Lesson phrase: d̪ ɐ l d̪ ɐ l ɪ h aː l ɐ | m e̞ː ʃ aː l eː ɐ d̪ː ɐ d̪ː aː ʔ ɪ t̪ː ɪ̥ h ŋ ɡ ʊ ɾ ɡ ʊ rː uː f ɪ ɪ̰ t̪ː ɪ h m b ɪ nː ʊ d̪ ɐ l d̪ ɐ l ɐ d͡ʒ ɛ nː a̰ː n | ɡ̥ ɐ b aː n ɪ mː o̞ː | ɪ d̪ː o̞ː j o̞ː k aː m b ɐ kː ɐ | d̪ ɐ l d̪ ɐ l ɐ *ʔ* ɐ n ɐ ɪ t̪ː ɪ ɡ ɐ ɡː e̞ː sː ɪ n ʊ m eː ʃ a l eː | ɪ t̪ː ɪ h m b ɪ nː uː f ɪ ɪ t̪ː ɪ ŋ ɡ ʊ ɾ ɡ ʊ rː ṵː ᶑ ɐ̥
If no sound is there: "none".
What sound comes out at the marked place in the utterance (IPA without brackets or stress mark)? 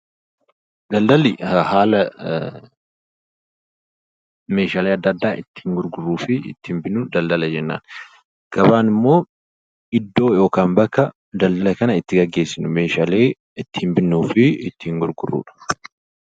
k